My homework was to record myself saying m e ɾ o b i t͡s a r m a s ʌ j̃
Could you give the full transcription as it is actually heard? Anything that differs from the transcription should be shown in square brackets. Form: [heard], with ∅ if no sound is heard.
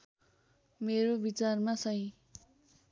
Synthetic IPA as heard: m e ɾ o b i t͡s a r m a s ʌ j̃